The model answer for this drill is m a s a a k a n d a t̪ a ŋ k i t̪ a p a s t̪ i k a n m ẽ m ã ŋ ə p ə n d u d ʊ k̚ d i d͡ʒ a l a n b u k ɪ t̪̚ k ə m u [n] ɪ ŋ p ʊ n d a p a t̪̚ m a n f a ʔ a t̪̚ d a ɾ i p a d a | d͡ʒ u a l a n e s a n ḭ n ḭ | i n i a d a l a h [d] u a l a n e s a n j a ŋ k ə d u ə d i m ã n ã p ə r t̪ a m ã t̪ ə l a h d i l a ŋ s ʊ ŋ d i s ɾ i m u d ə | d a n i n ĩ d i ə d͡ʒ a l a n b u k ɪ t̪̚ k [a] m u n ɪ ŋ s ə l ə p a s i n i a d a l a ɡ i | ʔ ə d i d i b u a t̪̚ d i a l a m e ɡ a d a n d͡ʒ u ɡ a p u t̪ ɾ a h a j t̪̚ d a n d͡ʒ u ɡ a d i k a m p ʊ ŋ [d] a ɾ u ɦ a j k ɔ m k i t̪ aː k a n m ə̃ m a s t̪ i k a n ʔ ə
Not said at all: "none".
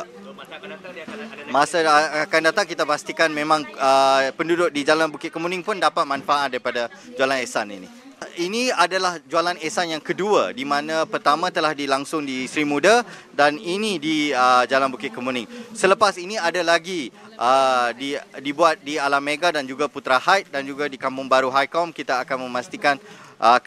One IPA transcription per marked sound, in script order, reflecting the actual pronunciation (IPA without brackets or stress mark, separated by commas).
n, d͡ʒ, ə, b